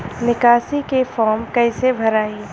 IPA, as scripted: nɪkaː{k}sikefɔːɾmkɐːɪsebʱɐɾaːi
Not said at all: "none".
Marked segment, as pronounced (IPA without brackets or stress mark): none